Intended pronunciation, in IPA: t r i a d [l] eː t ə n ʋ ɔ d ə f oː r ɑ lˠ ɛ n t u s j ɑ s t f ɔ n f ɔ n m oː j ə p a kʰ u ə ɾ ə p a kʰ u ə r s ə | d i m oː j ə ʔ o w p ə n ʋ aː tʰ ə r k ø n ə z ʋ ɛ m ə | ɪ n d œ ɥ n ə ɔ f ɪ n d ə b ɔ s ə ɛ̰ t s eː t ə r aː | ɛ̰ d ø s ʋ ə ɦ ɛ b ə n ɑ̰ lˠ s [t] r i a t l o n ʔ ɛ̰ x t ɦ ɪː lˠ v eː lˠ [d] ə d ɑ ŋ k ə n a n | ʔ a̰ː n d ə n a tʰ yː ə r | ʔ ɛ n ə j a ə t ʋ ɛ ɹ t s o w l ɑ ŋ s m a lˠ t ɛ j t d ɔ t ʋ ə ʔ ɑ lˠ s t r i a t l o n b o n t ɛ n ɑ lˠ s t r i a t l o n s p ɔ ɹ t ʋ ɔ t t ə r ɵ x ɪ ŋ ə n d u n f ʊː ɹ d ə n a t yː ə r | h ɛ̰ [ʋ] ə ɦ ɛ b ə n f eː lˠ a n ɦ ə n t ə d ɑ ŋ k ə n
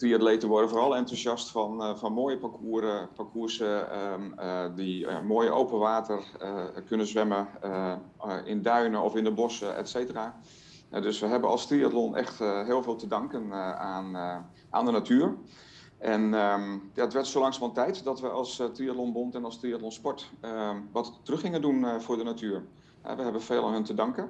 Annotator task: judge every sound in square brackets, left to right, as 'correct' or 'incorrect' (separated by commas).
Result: correct, correct, incorrect, correct